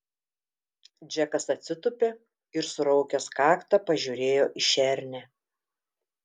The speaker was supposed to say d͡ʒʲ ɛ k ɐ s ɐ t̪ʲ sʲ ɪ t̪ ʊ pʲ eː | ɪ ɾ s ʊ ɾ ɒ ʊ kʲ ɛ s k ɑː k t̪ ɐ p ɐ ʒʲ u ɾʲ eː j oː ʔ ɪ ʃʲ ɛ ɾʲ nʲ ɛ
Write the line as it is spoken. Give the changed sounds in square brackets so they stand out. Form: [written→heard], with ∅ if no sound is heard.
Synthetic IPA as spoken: d͡ʒʲ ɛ k ɐ s ɐ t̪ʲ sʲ ɪ t̪ ʊ pʲ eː | ɪ ɾ s ʊ ɾ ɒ ʊ kʲ ɛ s k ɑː k t̪ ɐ p ɐ ʒʲ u ɾʲ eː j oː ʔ ɪ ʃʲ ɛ ɾʲ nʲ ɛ